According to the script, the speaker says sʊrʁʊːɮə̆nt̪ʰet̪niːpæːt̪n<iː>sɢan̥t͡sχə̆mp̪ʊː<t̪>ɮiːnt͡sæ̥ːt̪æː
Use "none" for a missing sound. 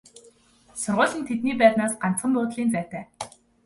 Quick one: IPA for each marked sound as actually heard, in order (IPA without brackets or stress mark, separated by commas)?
aː, t̪